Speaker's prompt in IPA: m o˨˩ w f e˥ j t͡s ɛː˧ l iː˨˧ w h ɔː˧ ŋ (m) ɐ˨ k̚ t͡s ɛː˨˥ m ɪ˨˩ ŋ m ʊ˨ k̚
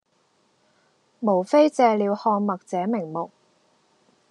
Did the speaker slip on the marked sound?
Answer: no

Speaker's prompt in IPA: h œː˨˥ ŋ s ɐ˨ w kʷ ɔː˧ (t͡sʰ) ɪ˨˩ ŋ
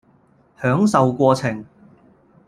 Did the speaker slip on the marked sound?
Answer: no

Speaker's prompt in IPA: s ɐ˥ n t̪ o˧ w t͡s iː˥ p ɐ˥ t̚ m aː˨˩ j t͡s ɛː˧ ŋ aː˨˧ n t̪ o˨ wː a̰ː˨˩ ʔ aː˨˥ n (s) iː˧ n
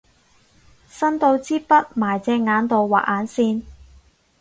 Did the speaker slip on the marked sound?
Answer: no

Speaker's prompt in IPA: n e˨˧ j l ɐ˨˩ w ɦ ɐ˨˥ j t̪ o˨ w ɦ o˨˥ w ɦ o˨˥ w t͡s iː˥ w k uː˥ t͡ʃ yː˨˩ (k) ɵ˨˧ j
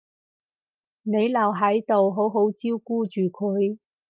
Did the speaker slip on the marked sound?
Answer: yes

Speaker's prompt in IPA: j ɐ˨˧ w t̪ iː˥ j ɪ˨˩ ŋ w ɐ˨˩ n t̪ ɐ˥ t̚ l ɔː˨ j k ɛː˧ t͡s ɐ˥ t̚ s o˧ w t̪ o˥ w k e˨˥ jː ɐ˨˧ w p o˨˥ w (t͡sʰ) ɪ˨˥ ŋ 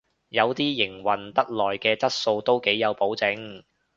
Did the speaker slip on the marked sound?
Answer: yes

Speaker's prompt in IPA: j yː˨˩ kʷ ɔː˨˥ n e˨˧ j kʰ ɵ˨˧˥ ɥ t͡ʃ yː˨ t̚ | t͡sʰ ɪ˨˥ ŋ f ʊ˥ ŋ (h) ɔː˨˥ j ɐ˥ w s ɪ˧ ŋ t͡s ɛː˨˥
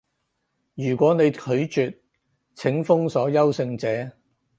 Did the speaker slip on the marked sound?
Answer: yes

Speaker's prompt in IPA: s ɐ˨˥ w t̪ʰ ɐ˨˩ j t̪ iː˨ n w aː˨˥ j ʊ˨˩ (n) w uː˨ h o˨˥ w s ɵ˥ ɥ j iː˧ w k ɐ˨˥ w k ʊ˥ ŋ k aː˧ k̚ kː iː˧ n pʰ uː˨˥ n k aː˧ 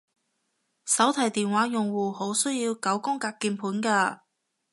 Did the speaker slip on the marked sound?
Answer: yes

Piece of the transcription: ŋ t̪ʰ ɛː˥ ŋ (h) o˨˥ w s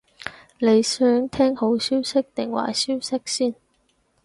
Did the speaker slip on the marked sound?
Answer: no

